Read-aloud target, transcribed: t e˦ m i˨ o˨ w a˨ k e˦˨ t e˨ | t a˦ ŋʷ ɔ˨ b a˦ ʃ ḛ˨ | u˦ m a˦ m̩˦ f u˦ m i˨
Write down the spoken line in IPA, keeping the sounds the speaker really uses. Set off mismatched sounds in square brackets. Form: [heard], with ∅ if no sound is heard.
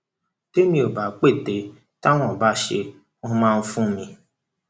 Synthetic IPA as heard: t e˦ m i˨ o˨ [b] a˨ [k͡p] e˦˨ t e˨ | t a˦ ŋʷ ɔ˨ b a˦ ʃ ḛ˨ | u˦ m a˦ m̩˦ f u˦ m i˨